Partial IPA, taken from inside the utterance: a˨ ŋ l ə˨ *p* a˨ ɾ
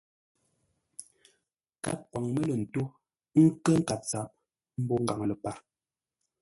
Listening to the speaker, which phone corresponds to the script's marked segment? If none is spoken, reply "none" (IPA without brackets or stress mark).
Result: p